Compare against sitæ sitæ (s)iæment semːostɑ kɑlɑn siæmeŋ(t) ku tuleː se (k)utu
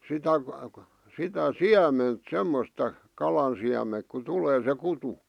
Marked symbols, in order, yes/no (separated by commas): yes, no, yes